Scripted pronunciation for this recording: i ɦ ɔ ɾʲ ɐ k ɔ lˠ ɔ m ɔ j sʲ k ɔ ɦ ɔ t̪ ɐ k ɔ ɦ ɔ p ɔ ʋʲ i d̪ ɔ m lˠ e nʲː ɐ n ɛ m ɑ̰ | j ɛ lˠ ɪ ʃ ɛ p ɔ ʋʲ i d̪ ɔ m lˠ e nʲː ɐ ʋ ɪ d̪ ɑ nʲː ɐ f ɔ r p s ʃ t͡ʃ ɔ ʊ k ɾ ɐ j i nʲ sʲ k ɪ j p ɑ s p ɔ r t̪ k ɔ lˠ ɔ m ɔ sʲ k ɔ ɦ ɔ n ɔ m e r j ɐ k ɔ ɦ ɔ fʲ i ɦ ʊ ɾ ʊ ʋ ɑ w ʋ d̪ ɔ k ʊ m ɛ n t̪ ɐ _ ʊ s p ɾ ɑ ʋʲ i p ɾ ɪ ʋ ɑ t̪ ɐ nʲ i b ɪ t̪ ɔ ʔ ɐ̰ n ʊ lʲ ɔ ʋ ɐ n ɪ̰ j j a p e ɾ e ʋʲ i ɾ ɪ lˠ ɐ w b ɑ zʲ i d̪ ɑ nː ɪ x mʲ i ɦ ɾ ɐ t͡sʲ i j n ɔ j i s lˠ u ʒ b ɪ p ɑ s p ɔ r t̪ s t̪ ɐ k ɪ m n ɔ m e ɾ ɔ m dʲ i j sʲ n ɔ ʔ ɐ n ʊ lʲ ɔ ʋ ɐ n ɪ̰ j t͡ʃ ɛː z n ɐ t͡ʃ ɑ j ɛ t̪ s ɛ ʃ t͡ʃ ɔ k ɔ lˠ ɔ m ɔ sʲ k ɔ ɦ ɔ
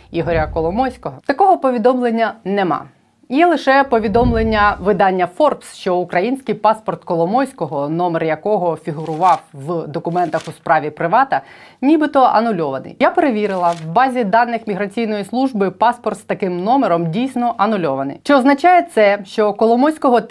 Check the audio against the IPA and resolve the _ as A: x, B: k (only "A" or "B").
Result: A